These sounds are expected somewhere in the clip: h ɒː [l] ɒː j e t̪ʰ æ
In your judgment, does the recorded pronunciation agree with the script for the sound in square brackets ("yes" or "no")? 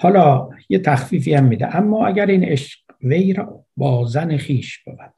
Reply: yes